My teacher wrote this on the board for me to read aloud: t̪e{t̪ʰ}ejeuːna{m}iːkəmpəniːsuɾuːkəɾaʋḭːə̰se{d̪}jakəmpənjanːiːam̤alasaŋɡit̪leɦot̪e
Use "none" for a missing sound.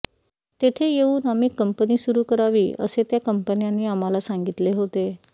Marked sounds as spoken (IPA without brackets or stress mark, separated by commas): t̪ʰ, m, t̪